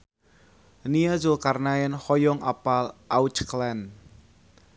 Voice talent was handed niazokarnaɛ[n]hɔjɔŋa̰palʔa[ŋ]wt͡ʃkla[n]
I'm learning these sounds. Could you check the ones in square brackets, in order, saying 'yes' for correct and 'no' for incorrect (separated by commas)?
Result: yes, no, yes